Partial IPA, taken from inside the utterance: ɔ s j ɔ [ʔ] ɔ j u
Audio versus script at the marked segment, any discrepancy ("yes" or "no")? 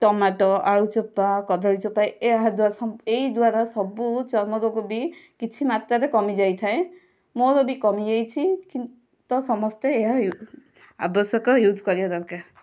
yes